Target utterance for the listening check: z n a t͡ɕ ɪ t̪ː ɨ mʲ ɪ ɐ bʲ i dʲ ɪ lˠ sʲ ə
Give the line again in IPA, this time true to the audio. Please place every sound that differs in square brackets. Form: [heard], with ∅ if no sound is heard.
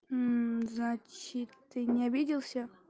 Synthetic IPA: z n a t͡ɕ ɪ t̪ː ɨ [nʲ] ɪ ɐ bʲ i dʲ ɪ lˠ sʲ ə